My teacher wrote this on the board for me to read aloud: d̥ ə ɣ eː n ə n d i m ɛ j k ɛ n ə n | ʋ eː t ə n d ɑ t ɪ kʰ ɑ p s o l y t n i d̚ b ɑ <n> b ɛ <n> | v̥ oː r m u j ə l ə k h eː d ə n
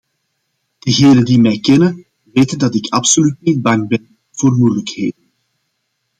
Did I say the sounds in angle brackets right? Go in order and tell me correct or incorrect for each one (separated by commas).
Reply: incorrect, correct